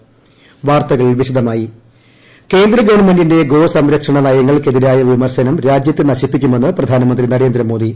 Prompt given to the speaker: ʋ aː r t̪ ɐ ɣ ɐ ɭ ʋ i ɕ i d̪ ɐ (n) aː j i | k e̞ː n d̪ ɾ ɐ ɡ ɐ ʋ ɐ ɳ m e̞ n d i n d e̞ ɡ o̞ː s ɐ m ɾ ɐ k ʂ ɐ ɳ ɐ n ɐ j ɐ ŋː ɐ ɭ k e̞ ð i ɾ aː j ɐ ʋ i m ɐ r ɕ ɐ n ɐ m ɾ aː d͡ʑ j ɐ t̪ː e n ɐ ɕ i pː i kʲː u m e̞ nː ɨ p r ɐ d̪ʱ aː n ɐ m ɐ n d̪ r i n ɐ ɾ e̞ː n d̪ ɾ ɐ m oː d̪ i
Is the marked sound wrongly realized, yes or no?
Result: yes